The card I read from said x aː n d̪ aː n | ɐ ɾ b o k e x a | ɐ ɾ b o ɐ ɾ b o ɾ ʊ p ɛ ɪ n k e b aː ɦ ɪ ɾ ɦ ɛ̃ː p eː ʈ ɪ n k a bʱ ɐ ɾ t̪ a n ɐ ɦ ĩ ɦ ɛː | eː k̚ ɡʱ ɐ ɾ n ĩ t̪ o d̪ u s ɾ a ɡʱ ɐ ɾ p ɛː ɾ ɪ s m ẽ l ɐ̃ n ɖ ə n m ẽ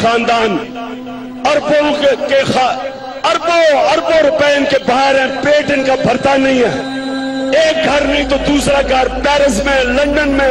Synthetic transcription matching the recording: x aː n d̪ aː n | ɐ ɾ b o k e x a | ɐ ɾ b o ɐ ɾ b o ɾ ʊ p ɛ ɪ n k e b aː ɦ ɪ ɾ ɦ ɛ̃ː p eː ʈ ɪ n k a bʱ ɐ ɾ t̪ a n ɐ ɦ ĩ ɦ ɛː | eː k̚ ɡʱ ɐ ɾ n ĩ t̪ o d̪ uː s ɾ a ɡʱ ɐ ɾ p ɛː ɾ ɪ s m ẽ l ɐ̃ ɳ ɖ ə n m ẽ